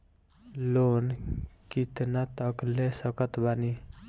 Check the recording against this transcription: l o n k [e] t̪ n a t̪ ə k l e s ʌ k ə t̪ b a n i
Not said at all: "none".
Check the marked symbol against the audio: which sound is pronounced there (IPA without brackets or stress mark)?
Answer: i